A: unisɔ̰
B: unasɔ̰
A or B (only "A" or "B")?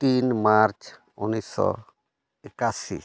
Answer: A